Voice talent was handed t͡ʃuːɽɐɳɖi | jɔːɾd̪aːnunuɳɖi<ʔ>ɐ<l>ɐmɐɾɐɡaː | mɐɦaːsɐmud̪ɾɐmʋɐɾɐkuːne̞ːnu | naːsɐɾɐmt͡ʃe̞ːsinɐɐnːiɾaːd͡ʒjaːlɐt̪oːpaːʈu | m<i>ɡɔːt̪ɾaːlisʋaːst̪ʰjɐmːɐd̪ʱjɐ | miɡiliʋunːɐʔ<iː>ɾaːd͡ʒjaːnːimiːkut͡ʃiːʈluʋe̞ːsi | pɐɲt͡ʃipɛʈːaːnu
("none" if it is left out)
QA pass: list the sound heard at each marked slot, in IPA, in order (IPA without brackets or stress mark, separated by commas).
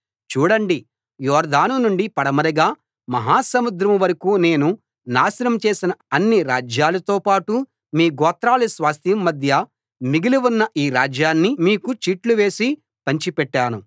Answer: p, ɽ, iː, iː